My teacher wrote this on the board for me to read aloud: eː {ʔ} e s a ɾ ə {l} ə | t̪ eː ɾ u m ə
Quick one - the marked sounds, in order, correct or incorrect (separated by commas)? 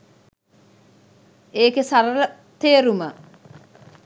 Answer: incorrect, correct